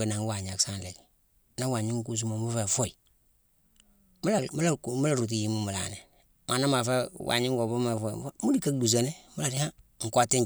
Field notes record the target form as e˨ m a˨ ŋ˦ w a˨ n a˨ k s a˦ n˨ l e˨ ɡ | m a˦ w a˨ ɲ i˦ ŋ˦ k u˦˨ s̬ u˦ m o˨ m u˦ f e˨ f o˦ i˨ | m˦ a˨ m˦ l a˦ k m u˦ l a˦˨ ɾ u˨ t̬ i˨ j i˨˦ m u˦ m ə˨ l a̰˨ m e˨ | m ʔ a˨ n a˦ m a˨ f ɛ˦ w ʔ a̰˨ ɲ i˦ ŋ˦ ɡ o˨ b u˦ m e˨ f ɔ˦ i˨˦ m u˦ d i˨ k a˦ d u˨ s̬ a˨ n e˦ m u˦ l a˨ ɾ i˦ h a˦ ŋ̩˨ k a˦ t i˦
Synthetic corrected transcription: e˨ n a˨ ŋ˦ w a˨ ɲ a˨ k s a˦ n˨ l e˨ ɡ | n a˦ w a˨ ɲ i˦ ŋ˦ k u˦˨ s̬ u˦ m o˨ m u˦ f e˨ f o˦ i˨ | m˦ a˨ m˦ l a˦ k m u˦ l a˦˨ ɾ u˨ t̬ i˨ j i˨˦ m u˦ m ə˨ l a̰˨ n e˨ | m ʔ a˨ n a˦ m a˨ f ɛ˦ w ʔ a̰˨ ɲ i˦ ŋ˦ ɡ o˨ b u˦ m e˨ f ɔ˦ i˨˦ m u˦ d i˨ k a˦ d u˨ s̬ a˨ n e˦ m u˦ l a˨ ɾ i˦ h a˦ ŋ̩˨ k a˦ t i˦

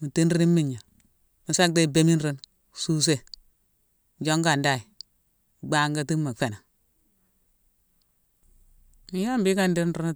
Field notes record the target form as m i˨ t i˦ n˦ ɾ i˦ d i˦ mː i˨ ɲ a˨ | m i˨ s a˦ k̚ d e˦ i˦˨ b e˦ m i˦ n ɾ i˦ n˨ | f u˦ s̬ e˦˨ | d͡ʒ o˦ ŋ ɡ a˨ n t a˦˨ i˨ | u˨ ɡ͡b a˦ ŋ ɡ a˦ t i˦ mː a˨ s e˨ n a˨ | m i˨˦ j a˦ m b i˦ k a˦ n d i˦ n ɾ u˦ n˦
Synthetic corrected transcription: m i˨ t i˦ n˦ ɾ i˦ n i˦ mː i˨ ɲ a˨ | m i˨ s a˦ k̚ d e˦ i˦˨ b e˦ m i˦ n ɾ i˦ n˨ | s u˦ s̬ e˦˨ | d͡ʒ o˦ ŋ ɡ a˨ n d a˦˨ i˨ | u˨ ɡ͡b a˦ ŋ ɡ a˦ t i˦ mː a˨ f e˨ n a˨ | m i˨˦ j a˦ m b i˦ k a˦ n d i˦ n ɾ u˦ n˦

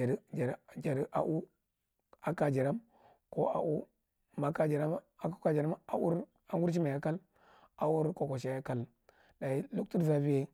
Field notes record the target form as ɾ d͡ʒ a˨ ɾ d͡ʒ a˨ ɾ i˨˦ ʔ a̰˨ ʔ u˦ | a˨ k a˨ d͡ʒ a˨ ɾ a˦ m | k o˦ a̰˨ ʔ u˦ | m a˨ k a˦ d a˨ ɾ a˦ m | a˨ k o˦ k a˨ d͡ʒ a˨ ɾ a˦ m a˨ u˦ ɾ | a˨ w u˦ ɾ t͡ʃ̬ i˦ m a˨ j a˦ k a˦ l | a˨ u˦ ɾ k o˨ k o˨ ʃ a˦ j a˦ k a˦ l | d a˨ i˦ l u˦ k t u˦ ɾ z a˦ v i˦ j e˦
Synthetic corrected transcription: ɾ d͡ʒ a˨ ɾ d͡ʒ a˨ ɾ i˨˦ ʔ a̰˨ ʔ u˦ | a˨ k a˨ d͡ʒ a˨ ɾ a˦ m | k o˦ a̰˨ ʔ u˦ | m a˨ k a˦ d͡ʒ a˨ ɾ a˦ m | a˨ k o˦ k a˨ d͡ʒ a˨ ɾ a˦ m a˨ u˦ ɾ | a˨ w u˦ ɾ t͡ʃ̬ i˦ m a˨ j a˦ k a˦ l | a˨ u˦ ɾ k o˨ k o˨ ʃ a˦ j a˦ k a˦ l | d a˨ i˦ l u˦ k t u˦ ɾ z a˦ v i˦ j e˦

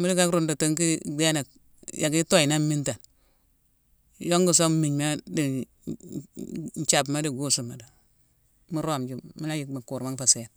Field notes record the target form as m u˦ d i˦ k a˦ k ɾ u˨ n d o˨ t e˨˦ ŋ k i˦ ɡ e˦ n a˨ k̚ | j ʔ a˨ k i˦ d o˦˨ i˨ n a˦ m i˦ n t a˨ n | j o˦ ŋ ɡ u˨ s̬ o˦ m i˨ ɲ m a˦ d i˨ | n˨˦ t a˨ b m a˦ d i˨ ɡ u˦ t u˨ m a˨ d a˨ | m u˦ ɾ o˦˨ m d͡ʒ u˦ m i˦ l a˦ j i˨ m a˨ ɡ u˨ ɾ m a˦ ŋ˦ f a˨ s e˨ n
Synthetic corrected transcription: m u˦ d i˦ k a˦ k ɾ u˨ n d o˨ t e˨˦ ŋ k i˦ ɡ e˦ n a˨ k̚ | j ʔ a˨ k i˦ t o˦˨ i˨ n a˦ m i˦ n t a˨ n | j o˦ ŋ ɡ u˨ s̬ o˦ m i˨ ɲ m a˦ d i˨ | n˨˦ t͡ʃ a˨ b m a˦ d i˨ ɡ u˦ s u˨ m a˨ d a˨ | m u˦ ɾ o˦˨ m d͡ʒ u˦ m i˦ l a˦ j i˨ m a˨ k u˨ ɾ m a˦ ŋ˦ f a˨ s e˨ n

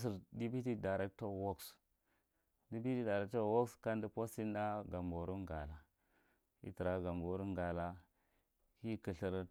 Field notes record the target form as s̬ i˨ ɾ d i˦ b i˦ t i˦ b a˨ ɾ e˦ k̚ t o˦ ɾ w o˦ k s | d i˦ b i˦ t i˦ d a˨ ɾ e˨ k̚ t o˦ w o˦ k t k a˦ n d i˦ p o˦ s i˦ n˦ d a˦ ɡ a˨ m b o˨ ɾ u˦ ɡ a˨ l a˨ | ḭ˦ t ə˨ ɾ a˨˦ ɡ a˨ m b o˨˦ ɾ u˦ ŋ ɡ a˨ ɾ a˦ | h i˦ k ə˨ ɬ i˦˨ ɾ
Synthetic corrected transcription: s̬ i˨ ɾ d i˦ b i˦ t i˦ d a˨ ɾ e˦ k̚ t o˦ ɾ w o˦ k s | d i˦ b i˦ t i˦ d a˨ ɾ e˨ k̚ t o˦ w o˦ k s k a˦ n d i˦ p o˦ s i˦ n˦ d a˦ ɡ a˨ m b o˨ ɾ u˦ ɡ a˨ l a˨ | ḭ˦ t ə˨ ɾ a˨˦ ɡ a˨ m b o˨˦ ɾ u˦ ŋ ɡ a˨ l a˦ | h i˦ k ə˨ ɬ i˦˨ ɾ

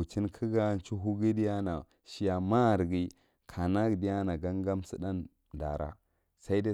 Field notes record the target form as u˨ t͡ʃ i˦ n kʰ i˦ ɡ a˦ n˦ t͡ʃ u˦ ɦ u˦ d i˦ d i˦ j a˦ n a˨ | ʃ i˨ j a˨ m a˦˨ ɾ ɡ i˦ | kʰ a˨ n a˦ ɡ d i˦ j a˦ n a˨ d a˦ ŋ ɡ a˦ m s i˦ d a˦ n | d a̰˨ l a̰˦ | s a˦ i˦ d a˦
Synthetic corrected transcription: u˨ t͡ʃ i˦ n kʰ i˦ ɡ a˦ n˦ t͡ʃ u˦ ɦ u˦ ɡ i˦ d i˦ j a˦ n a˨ | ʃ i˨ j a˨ m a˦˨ ɾ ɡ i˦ | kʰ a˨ n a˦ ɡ d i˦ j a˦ n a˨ ɡ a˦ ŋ ɡ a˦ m s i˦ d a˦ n | d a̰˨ ɾ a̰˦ | s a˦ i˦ d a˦

